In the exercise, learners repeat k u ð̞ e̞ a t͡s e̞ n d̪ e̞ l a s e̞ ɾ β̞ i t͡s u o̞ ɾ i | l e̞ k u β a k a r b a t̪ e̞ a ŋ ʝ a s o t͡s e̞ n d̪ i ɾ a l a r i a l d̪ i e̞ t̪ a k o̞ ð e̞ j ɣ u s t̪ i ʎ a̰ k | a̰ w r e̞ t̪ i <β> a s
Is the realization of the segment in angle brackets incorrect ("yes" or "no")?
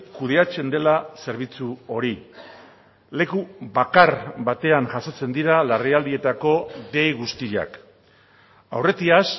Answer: yes